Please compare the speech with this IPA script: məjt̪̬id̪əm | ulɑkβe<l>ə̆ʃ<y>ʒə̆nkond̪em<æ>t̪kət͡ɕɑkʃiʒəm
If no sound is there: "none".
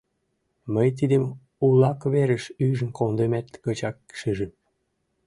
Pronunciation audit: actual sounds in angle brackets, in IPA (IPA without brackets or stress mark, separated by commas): ɾ, y, æ